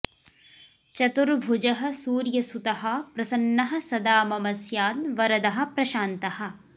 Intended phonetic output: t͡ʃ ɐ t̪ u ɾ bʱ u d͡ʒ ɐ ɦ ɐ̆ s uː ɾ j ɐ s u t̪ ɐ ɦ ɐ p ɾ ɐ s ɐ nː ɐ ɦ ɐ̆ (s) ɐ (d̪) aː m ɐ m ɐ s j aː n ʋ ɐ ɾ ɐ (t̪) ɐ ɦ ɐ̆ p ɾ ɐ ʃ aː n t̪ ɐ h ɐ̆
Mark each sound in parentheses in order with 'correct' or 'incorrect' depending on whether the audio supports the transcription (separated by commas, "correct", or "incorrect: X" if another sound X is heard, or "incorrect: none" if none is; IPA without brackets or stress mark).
correct, correct, incorrect: d̪